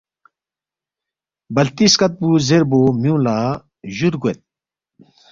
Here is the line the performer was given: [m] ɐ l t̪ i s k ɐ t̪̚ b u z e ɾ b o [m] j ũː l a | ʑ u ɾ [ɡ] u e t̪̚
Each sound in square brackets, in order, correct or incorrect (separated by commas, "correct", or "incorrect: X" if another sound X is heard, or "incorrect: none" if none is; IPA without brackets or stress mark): incorrect: b, correct, correct